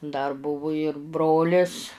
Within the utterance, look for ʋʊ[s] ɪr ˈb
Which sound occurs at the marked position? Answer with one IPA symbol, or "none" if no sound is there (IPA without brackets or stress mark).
none